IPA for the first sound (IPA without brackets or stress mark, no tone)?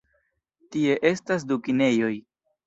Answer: t